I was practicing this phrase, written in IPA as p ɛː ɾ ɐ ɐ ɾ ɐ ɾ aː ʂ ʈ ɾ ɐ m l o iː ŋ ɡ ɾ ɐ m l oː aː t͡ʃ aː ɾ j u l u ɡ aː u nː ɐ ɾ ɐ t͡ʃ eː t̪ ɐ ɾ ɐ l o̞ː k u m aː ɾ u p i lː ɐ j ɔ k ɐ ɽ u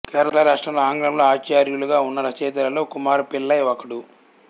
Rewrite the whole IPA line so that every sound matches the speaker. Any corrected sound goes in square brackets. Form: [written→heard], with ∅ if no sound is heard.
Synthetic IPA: [p→k] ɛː ɾ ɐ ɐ [ɾ→l] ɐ ɾ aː ʂ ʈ ɾ ɐ m l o [iː→aː] ŋ ɡ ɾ ɐ m l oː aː t͡ʃ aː ɾ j u l u ɡ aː u nː ɐ ɾ ɐ t͡ʃ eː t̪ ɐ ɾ ɐ l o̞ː k u m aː ɾ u p i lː ɐ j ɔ k ɐ ɽ u